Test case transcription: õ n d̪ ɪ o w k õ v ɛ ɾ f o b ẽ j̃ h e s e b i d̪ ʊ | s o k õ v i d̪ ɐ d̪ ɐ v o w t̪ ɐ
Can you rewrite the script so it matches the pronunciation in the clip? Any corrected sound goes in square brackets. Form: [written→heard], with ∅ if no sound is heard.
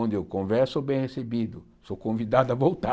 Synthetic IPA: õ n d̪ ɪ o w k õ v ɛ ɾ [f→s] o b ẽ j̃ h e s e b i d̪ ʊ | s o k õ v i d̪ [ɐ→a] d̪ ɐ v o w t̪ [ɐ→a]